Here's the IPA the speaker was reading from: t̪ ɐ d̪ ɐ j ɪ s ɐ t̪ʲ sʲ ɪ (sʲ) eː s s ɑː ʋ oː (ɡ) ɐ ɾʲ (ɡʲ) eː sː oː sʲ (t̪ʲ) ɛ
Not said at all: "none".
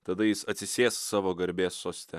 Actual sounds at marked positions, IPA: sʲ, ɡ, bʲ, t̪ʲ

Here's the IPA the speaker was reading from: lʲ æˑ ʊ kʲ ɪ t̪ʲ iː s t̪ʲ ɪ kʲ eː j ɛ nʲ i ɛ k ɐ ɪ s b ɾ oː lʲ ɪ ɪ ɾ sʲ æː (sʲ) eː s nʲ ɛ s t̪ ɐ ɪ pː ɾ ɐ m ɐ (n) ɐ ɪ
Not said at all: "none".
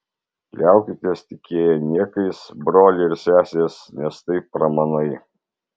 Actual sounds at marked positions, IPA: sʲ, n

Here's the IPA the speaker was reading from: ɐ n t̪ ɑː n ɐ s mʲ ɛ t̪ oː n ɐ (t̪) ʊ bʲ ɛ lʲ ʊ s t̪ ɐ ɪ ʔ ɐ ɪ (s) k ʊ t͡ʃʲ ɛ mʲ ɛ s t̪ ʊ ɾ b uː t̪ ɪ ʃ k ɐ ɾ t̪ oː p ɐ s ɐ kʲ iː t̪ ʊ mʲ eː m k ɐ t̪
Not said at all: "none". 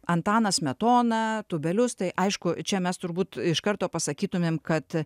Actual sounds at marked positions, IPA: t̪, ʃ

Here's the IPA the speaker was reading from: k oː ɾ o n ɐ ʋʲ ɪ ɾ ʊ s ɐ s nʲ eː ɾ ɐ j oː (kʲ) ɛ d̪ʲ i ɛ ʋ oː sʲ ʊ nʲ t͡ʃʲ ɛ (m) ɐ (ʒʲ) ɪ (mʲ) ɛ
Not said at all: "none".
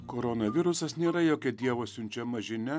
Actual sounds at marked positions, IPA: kʲ, m, ʒʲ, nʲ

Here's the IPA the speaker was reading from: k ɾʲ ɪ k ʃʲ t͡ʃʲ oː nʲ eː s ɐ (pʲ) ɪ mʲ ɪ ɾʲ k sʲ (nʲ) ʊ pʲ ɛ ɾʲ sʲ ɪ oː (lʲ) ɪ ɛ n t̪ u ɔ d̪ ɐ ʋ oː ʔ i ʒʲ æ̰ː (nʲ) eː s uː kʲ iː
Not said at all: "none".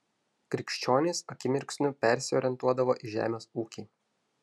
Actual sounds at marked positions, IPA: kʲ, nʲ, ɾʲ, mʲ

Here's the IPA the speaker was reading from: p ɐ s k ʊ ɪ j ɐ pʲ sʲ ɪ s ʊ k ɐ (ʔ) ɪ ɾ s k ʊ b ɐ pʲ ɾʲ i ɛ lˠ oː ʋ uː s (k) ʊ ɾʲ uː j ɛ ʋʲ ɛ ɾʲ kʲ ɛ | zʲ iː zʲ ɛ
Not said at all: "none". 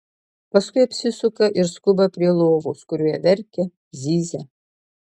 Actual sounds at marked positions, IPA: ʔ, k

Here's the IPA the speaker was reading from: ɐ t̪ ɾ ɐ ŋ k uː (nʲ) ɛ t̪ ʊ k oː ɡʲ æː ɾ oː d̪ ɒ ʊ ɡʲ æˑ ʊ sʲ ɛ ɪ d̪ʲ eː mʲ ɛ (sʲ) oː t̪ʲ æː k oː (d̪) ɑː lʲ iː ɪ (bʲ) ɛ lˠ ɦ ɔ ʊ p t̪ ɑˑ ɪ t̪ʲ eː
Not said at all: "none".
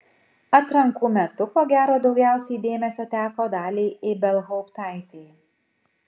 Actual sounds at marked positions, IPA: mʲ, sʲ, d̪, bʲ

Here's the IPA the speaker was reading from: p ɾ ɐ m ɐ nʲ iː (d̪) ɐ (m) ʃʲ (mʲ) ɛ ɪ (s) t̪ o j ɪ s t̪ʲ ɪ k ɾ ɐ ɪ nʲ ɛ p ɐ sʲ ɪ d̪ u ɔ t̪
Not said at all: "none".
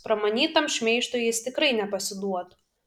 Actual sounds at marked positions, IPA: t̪, m, mʲ, ʃ

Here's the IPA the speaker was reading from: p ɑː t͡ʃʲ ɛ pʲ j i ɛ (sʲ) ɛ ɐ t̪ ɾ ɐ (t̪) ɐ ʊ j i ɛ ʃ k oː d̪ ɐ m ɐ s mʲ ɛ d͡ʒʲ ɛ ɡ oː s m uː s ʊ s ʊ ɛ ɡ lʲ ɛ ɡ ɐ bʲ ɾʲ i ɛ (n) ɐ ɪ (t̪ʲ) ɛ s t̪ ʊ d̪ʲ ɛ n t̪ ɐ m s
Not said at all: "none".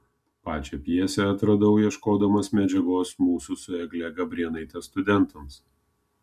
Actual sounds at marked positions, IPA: sʲ, d̪, n, t̪ʲ

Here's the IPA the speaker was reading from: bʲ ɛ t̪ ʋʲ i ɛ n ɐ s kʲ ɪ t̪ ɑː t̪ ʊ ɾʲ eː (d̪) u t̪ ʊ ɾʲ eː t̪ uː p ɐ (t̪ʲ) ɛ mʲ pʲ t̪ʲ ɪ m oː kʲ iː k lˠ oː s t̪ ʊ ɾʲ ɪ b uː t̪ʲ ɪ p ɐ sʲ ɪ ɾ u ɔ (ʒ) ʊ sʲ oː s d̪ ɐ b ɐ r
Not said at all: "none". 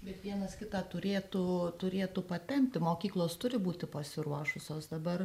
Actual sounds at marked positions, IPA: t̪, t̪ʲ, ʃ

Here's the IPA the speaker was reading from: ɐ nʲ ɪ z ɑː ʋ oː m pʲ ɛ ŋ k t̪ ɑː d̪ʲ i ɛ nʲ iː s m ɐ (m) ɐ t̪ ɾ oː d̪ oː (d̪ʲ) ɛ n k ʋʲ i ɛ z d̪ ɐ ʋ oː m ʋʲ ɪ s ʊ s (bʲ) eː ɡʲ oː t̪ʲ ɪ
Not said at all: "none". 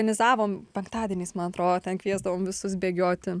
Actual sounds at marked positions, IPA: n, t̪ʲ, bʲ

